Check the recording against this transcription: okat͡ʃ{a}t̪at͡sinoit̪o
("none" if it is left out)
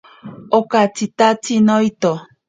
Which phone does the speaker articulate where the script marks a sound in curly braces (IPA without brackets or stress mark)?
i